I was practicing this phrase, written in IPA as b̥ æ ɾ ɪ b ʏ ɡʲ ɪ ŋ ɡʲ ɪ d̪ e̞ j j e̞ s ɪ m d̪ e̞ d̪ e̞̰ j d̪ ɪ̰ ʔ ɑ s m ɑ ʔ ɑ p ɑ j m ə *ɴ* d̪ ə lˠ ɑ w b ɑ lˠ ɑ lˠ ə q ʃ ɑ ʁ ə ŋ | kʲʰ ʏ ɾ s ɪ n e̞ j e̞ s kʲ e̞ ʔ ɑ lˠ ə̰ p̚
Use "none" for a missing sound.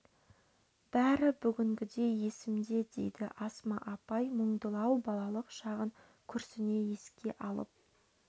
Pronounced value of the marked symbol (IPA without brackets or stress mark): ɴ